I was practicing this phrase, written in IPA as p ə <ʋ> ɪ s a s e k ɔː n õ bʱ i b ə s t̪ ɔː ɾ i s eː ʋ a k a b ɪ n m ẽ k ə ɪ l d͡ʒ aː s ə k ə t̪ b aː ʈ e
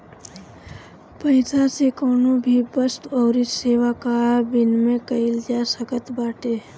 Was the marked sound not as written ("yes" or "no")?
yes